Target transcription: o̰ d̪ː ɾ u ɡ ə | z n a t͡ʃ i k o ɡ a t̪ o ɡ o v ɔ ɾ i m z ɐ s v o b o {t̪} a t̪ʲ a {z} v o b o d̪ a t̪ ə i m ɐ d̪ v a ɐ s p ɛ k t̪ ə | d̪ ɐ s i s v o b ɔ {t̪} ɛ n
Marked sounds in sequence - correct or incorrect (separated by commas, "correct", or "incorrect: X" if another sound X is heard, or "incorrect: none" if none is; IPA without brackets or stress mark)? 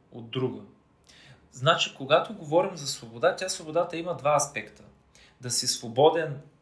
incorrect: d̪, incorrect: s, incorrect: d̪